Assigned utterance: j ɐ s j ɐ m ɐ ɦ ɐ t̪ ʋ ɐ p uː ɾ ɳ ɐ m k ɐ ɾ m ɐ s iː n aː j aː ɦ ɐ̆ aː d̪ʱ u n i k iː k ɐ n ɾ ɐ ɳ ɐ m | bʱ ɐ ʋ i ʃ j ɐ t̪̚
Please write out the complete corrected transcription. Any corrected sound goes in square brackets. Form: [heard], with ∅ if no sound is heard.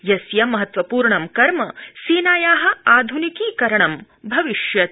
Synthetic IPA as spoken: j ɐ s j ɐ m ɐ ɦ ɐ t̪ ʋ ɐ p uː ɾ ɳ ɐ m k ɐ ɾ m ɐ s iː n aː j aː ɦ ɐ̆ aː d̪ʱ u n i k iː k ɐ [∅] ɾ ɐ ɳ ɐ m | bʱ ɐ ʋ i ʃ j ɐ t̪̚